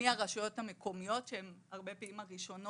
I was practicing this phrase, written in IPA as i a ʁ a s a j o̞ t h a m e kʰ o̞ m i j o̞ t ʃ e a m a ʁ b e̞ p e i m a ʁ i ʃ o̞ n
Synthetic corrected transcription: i a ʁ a ʃ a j o̞ t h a m e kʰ o̞ m i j o̞ t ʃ e e m a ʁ b e̞ p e i m a ʁ i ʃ o̞ n